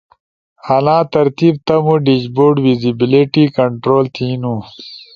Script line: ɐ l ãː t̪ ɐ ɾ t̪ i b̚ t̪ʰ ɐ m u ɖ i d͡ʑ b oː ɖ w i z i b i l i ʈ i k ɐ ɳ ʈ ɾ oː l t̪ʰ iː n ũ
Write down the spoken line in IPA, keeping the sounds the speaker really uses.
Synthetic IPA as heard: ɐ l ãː t̪ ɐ ɾ t̪ i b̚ t̪ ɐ m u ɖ i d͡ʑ b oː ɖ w i z i b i l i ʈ i k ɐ ɳ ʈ ɾ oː l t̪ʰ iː n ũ